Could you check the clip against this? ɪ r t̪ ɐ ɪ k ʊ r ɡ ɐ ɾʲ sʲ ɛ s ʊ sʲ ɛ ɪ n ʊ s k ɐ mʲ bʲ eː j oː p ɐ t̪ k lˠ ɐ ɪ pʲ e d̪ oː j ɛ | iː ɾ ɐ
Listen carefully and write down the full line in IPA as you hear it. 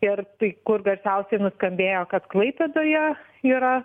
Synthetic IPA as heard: ɪ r t̪ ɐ ɪ k ʊ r ɡ ɐ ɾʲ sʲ ɛ ʊ sʲ ɛ ɪ n ʊ s k ɐ mʲ bʲ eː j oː k ɐ t̪ k lˠ ɐ ɪ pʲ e d̪ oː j ɛ | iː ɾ ɐ

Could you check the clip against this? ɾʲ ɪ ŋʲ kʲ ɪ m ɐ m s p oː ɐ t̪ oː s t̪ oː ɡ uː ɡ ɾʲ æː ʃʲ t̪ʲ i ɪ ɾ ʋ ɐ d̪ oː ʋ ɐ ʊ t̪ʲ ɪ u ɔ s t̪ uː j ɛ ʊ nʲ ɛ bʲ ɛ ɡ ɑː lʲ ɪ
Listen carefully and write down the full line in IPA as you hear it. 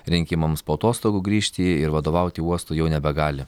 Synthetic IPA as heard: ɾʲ ɪ ŋʲ kʲ ɪ m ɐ m s p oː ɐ t̪ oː s t̪ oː ɡ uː ɡ ɾʲ iː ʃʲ t̪ʲ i ɪ ɾ ʋ ɐ d̪ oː ʋ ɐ ʊ t̪ʲ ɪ u ɔ s t̪ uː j ɛ ʊ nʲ ɛ bʲ ɛ ɡ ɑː lʲ ɪ

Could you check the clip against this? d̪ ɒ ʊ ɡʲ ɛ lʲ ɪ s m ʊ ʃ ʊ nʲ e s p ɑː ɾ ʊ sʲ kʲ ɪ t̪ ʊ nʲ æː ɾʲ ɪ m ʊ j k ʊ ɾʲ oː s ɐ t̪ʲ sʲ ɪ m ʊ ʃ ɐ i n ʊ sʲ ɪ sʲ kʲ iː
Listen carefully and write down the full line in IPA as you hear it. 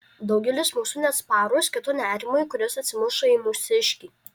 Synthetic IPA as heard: d̪ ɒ ʊ ɡʲ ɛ lʲ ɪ s m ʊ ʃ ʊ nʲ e s p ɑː ɾ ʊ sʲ kʲ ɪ t̪ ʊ nʲ æː ɾʲ ɪ m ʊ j k ʊ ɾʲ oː s ɐ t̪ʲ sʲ ɪ m ʊ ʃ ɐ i m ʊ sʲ ɪ ʃʲ kʲ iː

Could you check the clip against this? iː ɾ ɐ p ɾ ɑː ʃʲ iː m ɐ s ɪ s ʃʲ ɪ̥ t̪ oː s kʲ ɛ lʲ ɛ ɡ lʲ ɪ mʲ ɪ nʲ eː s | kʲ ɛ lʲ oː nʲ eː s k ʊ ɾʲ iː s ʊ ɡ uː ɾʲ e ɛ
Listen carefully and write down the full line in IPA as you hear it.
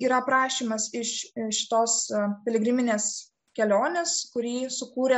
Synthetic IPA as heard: iː ɾ ɐ p ɾ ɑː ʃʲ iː m ɐ s ɪ ʃ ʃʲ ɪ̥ t̪ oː s pʲ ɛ lʲ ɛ ɡ ɾʲ ɪ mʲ ɪ nʲ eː s | kʲ ɛ lʲ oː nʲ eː s k ʊ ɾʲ iː s ʊ k uː ɾʲ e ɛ

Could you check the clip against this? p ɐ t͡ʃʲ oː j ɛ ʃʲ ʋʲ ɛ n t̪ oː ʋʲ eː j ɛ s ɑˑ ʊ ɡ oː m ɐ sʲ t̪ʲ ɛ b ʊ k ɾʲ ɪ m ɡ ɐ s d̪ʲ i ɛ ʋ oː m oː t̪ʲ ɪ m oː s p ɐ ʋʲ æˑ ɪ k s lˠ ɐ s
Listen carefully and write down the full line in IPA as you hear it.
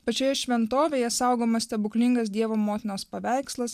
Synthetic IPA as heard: p ɐ t͡ʃʲ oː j ɛ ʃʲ ʋʲ ɛ n t̪ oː ʋʲ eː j ɛ s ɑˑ ʊ ɡ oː m ɐ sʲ t̪ʲ ɛ b ʊ k lʲ ɪ ŋ ɡ ɐ s d̪ʲ i ɛ ʋ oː m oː t̪ʲ ɪ n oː s p ɐ ʋʲ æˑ ɪ k s lˠ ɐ s

